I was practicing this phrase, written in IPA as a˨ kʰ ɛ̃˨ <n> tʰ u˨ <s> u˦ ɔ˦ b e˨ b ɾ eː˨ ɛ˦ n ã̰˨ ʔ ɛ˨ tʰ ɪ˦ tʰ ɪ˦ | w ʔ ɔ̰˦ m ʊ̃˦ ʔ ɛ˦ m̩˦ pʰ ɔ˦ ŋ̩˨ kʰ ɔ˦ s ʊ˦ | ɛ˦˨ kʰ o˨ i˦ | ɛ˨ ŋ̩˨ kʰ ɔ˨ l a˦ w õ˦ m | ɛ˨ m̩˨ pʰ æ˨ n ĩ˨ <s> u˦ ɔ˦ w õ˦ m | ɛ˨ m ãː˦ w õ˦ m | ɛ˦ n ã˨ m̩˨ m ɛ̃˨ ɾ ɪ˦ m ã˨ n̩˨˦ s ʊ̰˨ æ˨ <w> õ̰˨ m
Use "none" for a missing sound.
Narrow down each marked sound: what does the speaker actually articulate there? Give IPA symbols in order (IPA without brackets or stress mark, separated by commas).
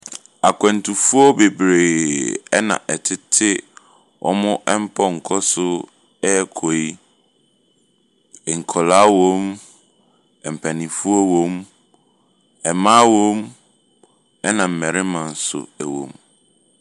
n, f, f, w